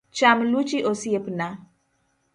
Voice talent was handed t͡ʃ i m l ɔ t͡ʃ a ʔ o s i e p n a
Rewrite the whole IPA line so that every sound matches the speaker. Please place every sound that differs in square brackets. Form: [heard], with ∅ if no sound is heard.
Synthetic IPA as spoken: t͡ʃ [a] m l [u] t͡ʃ [i] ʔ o s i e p n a